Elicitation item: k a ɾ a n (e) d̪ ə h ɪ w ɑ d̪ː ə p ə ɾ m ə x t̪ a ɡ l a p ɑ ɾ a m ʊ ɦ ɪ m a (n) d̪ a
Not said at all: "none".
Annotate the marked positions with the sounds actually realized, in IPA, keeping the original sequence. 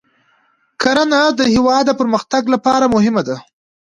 a, none

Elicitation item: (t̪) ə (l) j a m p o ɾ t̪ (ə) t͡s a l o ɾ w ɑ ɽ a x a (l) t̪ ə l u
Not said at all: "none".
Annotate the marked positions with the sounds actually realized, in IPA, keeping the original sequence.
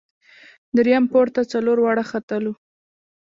d̪, ɾ, a, none

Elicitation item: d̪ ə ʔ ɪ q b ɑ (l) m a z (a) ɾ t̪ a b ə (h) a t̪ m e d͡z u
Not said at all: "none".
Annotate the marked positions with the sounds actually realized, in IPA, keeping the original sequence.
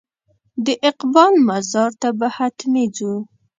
l, ɑ, h

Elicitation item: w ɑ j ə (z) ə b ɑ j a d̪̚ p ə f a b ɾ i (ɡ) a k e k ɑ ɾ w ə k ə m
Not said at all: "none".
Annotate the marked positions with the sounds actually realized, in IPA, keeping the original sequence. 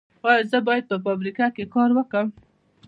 z, k

